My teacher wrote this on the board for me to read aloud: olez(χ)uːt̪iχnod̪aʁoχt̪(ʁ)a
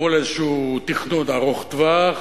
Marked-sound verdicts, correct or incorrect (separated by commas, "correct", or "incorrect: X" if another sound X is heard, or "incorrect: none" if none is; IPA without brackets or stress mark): incorrect: ʃ, incorrect: v